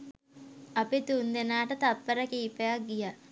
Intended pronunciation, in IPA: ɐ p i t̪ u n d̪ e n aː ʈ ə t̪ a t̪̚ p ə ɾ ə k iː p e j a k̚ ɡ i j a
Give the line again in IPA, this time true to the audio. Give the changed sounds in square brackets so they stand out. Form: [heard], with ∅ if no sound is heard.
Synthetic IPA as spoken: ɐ p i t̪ u n d̪ e n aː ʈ ə t̪ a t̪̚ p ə ɾ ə k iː p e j a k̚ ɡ i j a